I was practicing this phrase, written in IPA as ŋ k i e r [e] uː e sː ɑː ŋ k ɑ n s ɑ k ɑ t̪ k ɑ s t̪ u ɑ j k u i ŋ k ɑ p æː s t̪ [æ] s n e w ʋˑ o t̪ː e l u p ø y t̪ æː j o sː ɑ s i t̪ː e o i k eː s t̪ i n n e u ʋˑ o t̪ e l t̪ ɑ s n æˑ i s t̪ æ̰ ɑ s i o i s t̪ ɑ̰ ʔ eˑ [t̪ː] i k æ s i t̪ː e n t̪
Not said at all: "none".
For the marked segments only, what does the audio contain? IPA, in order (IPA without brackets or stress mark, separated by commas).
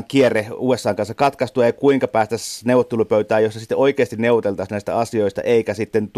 e, æ, none